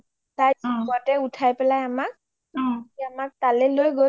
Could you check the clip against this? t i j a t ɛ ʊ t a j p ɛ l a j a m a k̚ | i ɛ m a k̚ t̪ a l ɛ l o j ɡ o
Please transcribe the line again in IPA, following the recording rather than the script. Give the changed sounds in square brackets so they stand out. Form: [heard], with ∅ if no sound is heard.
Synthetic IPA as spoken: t [a] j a t ɛ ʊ [tʰ] a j p ɛ l a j a m a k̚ | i [a] m a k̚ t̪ a l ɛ l o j ɡ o